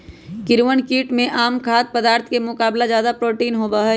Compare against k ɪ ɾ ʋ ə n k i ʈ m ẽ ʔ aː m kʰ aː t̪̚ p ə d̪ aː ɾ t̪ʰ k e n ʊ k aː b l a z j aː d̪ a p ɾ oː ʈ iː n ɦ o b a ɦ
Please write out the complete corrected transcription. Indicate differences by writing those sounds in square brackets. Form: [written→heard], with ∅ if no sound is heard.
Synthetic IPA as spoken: k ɪ ɾ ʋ ə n k [i→iː] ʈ m ẽ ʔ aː m kʰ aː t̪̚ p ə d̪ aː ɾ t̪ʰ k e [n→m] ʊ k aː b l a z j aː d̪ a p ɾ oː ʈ iː n ɦ o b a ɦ